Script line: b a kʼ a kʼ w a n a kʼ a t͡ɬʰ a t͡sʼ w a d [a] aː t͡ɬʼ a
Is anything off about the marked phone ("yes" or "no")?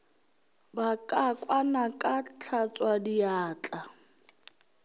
yes